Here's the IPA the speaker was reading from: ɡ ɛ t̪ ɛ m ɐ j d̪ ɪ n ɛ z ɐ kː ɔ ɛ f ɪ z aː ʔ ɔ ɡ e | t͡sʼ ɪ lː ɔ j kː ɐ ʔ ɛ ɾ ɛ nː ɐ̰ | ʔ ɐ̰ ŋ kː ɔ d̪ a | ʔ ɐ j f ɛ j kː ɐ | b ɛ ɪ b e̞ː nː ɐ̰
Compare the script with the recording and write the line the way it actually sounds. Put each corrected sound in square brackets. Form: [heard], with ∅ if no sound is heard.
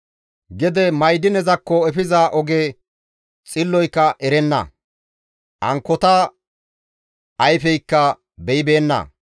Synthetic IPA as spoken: ɡ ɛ [d̪] ɛ m ɐ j d̪ ɪ n ɛ z ɐ kː ɔ ɛ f ɪ z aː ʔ ɔ ɡ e | t͡sʼ ɪ lː ɔ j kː ɐ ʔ ɛ ɾ ɛ nː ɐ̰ | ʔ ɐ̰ ŋ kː ɔ [t̪] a | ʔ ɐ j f ɛ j kː ɐ | b ɛ ɪ b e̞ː nː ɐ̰